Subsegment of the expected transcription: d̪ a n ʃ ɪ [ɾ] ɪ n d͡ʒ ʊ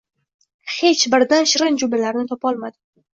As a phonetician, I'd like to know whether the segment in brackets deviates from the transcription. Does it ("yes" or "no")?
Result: no